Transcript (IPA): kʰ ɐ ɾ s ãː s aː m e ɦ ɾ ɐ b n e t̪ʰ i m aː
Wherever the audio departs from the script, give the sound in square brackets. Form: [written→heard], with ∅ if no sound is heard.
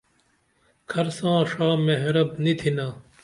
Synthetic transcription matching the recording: kʰ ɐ ɾ s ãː [s→ʂ] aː m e ɦ ɾ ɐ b n [e→i] t̪ʰ i [m→n] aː